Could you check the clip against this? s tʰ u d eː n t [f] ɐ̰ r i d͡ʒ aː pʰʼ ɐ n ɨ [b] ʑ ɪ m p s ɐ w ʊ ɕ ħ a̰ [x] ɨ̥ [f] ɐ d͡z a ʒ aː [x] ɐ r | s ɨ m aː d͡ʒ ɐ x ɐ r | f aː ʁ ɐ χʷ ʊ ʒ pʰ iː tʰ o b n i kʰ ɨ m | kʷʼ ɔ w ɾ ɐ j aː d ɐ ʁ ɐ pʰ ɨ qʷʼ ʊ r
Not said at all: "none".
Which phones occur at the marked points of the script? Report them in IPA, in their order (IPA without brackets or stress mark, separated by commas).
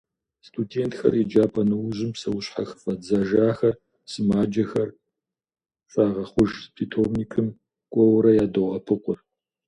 x, w, x, f, x